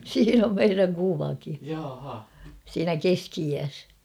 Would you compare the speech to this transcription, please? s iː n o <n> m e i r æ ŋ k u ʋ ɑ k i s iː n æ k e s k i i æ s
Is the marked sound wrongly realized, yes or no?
yes